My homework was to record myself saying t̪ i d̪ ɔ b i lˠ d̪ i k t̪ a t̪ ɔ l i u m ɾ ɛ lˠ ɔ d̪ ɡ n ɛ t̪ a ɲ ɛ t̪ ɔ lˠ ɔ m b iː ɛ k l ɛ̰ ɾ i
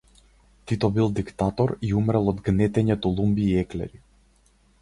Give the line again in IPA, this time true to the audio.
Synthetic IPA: t̪ i t̪ ɔ b i lˠ d̪ i k t̪ a t̪ ɔ ɾ i u m ɾ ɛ lˠ ɔ d̪ ɡ n ɛ t̪ ɛ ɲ ɛ t̪ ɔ lˠ u m b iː ɛ k l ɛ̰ ɾ i